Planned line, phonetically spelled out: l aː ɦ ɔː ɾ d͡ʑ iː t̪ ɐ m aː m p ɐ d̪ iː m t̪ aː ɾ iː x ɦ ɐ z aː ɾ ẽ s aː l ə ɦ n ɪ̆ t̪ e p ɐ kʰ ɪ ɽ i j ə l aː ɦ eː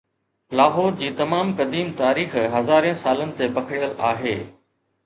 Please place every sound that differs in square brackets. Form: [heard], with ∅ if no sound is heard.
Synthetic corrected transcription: l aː ɦ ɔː ɾ d͡ʑ iː t̪ ɐ m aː m [k] ɐ d̪ iː m t̪ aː ɾ iː x ɦ ɐ z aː ɾ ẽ s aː l ə [∅] n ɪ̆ t̪ e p ɐ kʰ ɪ ɽ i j ə l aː ɦ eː